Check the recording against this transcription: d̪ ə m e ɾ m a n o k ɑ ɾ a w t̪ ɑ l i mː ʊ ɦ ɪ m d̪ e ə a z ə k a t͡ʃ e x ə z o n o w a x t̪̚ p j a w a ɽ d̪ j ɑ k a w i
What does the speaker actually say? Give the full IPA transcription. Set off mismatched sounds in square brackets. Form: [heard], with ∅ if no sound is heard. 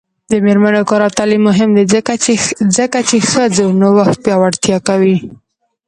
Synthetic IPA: d̪ ə m e ɾ m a n o k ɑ ɾ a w t̪ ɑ l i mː ʊ ɦ ɪ m d̪ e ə a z ə k a t͡ʃ e x ə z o n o w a x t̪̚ p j [ɑ] w a ɽ [t̪] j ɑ k a w i